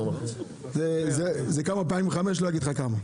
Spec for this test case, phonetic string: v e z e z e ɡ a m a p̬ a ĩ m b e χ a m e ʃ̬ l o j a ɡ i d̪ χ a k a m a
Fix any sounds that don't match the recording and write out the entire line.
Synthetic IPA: z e z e z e k a m a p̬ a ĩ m v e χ a m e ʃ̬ l o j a ɡ i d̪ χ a k a m a